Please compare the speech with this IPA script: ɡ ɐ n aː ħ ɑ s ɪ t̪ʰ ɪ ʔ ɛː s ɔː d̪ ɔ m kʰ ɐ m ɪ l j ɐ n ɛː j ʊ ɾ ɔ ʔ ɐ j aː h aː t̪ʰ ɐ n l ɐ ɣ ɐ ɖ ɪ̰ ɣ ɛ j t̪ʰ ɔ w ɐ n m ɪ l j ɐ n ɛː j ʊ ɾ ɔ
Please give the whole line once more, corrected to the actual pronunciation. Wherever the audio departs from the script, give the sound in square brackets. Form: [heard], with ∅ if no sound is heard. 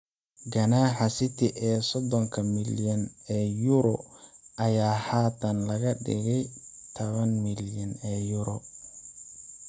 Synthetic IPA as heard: ɡ ɐ n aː ħ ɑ s ɪ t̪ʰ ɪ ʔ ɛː s [ɔ] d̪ ɔ [ŋ] kʰ ɐ m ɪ l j ɐ n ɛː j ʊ ɾ ɔ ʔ ɐ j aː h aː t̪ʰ ɐ n l ɐ ɣ ɐ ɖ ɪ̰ ɣ ɛ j t̪ʰ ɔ [β] ɐ n m ɪ l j ɐ n ɛː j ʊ ɾ ɔ